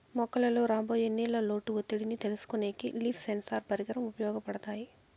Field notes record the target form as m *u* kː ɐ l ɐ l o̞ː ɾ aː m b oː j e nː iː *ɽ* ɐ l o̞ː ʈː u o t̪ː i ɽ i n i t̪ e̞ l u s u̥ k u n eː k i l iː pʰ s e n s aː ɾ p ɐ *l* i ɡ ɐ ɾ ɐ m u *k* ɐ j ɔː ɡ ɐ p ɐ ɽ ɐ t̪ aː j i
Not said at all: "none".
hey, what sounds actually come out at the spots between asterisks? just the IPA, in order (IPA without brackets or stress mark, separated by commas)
ɔ, l, ɾ, p